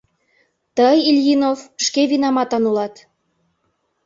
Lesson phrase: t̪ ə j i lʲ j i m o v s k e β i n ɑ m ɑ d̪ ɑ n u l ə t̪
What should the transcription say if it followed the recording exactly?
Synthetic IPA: t̪ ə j i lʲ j i n o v ʃ k e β i n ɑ m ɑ t̪ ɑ n u l ɑ t̪